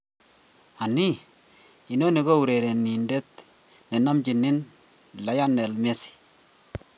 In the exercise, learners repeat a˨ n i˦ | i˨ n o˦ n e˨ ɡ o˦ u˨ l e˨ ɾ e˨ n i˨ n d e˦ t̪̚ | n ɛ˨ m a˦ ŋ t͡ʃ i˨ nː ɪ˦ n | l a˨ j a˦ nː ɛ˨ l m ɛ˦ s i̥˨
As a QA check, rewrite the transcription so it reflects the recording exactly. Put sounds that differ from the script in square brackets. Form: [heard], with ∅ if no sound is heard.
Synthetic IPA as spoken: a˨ n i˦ | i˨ n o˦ n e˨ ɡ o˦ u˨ [ɾ] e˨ ɾ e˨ n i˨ n d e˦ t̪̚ | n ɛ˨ [n] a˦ [m] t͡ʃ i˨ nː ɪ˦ n | l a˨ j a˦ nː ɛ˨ l m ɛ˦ s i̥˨